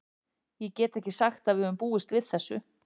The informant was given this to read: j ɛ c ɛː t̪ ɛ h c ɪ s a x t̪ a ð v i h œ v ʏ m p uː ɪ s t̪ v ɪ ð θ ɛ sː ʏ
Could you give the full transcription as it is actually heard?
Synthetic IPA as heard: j ɛ c ɛː t̪ ɛ h c ɪ s a x t̪ a ð v ɪ h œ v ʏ m p uː ɪ s t̪ v ɪ ð θ ɛ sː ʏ